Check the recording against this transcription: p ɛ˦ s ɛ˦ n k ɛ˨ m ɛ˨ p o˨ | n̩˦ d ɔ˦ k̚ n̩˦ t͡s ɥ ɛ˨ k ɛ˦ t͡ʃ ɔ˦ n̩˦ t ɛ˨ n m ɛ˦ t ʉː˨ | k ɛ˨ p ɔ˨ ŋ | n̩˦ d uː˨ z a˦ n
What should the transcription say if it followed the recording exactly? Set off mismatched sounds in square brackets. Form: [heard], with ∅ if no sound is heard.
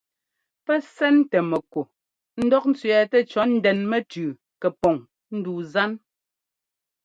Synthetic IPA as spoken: p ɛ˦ s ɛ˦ n [t] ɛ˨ m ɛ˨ [k] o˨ | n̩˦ d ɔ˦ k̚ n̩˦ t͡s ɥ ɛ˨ [t] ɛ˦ t͡ʃ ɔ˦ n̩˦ [d] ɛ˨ n m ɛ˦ t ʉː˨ | k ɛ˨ p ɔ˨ ŋ | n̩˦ d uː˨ z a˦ n